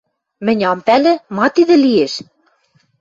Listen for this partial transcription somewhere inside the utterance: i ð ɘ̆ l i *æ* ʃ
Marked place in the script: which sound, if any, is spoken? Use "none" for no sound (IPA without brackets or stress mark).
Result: e